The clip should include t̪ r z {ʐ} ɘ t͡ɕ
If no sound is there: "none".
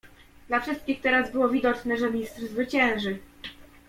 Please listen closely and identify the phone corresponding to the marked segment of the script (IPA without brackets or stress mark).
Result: v